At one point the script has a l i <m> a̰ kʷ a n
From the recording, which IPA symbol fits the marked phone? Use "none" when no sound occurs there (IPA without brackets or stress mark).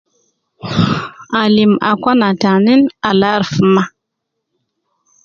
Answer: m